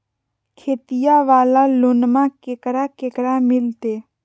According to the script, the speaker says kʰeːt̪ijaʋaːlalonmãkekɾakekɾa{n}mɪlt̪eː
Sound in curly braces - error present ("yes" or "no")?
yes